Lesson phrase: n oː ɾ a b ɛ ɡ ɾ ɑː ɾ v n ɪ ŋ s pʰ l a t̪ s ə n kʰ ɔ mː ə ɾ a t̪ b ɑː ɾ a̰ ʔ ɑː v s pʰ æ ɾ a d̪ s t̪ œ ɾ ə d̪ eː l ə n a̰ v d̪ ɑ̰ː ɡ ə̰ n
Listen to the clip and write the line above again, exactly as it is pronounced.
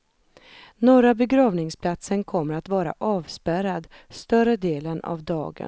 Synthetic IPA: n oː ɾ a b ɛ ɡ ɾ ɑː v n ɪ ŋ s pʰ l a t̪ s ə n kʰ ɔ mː ə ɾ a t̪ v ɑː ɾ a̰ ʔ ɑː v s p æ ɾ a d̪ s t̪ œ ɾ ə d̪ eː l ə n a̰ v d̪ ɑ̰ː ɡ ə̰ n

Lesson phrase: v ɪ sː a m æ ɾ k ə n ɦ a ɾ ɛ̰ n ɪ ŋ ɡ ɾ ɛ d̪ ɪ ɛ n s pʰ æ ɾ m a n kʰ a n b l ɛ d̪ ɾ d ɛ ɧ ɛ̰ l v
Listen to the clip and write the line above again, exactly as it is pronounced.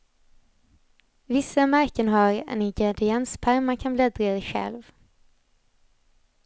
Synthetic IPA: v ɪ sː a m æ ɾ k ə n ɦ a ɾ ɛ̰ n ɪ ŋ ɡ ɾ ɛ d̪ ɪ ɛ n s pʰ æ ɾ m a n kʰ a n b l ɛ d̪ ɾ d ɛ ɧ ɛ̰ l v

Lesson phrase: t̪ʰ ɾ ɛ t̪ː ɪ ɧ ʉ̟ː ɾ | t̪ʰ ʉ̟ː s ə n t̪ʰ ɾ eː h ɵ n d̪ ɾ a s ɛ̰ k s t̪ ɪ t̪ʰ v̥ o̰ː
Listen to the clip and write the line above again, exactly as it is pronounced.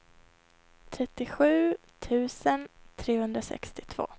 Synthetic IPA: t̪ʰ ɾ ɛ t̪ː ɪ ɧ ʉ̟ː | t̪ʰ ʉ̟ː s ə n t̪ʰ ɾ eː h ɵ n d̪ ɾ a s ɛ̰ k s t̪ ɪ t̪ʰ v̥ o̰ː

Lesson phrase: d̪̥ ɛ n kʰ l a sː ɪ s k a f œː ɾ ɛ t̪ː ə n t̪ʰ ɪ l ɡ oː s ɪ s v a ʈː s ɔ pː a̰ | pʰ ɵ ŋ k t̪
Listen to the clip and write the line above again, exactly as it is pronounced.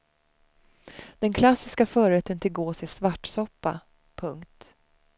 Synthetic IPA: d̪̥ ɛ n kʰ l a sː ɪ s k a f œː ɾ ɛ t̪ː ə n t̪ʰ ɪ l ɡ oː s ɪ s v a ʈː s ɔ pː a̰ | pʰ ɵ ŋ k t̪

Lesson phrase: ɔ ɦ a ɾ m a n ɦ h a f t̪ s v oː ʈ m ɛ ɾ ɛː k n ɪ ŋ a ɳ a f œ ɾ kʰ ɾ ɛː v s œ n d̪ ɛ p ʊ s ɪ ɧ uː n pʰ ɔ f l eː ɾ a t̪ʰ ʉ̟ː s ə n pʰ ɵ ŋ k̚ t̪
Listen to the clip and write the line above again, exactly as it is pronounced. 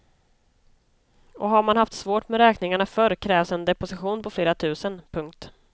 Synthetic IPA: ɔ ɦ a ɾ m a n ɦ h a f t̪ s v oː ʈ m ɛ ɾ ɛː k n ɪ ŋ a ɳ a f œ ɾ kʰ ɾ ɛː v s ɛ n d̪ ɛ p ʊ s ɪ ɧ uː n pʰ ɔ f l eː ɾ a t̪ʰ ʉ̟ː s ə n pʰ ɵ ŋ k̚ t̪

